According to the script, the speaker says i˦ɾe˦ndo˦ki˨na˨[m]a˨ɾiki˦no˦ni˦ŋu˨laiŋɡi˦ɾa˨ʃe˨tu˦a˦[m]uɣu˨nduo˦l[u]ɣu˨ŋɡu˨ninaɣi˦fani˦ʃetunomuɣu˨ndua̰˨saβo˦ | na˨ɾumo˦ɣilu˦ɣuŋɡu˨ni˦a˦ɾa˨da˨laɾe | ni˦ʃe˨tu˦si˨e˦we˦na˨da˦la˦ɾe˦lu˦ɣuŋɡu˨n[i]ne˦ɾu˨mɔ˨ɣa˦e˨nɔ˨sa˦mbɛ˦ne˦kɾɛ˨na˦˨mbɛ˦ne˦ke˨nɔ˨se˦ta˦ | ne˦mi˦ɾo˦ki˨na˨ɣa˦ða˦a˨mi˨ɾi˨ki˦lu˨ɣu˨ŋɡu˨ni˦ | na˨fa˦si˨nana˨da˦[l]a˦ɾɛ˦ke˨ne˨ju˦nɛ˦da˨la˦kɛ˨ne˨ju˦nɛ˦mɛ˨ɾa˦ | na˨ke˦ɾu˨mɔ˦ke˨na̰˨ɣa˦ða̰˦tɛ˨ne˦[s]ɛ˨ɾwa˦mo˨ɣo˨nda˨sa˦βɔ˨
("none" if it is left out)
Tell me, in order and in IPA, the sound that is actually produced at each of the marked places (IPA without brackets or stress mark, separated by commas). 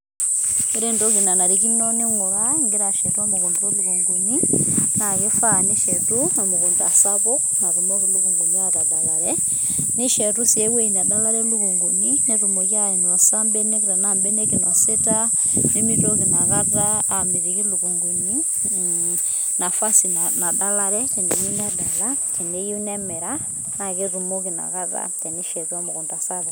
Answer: n, m, u, i, l, ʃ